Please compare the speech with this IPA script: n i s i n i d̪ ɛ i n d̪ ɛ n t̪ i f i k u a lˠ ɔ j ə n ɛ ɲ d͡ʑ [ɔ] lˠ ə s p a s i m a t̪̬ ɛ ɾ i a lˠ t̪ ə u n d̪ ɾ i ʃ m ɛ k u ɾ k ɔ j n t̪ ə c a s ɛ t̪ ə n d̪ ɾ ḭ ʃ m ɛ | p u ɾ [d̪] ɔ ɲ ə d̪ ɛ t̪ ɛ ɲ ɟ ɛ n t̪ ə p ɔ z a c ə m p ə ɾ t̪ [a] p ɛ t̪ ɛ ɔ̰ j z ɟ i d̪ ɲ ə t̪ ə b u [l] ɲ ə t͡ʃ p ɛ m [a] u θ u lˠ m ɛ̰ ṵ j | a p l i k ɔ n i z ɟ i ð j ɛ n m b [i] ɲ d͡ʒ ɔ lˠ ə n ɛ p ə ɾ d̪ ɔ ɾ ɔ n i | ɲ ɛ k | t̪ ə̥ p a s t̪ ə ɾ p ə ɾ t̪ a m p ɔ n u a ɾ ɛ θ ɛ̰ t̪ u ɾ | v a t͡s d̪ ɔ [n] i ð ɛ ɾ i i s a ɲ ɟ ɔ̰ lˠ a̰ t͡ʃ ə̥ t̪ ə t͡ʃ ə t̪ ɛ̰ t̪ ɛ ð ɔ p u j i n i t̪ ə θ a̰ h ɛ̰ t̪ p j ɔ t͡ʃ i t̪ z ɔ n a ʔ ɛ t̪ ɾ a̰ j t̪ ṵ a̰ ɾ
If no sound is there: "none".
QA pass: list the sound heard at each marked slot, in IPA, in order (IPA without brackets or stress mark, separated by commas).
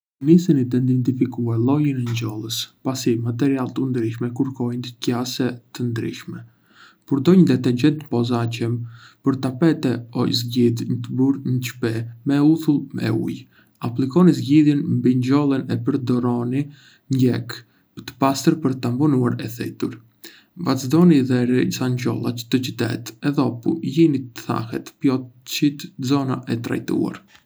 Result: ɔ, d̪, a, ɾ, ɛ, i, n